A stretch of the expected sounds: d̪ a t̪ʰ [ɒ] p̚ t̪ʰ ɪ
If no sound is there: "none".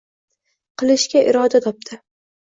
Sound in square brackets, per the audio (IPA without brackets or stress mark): ɒ